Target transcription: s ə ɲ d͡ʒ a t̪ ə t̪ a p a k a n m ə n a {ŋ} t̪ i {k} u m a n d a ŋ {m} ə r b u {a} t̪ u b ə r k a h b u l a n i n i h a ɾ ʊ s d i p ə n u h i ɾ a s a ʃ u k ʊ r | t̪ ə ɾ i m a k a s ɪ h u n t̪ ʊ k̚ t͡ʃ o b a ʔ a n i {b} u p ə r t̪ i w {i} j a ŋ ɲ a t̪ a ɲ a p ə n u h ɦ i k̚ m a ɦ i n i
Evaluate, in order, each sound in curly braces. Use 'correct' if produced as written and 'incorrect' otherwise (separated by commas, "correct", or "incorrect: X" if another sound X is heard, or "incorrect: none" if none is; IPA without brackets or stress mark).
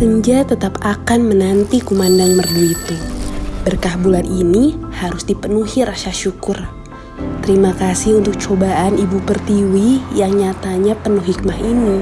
incorrect: n, correct, correct, incorrect: i, correct, correct